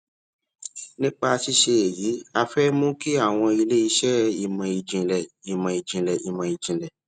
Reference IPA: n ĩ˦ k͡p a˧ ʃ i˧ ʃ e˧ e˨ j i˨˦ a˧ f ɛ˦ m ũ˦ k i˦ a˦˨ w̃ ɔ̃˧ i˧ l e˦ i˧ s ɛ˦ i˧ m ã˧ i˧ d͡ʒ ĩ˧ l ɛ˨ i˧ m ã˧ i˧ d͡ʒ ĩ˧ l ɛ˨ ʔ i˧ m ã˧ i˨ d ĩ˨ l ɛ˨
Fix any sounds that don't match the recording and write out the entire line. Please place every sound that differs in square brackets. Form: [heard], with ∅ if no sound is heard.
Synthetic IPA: n ĩ˦ k͡p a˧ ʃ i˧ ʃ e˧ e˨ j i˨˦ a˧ f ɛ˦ m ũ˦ k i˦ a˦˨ w̃ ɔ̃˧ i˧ l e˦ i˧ [ʃ] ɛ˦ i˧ m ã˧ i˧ d͡ʒ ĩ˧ l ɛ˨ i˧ m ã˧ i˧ d͡ʒ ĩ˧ l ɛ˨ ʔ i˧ m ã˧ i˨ [d͡ʒ] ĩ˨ l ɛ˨